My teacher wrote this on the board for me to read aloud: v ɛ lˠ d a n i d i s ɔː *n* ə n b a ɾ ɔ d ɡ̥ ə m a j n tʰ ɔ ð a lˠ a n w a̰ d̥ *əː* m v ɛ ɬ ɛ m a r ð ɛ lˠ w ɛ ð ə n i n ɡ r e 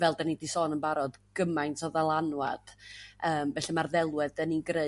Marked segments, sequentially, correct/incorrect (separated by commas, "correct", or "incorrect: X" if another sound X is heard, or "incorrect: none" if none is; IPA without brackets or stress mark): correct, correct